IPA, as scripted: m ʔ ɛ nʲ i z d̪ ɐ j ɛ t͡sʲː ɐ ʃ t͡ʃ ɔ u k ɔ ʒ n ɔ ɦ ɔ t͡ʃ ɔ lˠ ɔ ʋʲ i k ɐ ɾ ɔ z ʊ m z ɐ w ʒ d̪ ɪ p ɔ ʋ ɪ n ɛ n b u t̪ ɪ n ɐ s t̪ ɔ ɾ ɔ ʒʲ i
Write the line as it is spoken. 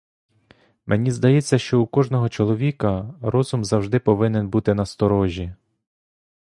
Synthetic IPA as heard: m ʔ e nʲ i z d̪ ɐ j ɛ t͡sʲː ɐ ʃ t͡ʃ ɔ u k ɔ ʒ n ɔ ɦ ɔ t͡ʃ ɔ lˠ ɔ ʋʲ i k ɐ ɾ ɔ z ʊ m z ɐ w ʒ d̪ ɪ p ɔ ʋ ɪ n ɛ n b u t̪ ɪ n ɐ s t̪ ɔ ɾ ɔ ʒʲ i